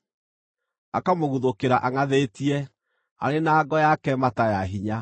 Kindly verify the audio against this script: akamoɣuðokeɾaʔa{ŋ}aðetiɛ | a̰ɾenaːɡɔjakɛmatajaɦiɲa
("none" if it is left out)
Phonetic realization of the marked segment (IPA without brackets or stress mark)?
ŋ